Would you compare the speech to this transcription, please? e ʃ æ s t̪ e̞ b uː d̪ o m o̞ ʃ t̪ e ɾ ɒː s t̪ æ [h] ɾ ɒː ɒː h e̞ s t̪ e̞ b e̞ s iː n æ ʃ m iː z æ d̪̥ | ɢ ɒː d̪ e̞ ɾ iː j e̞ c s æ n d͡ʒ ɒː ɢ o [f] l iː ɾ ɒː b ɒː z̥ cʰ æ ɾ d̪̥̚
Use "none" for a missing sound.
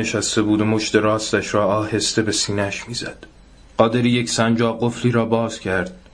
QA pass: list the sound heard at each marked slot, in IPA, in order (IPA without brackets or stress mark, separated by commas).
ʃ, f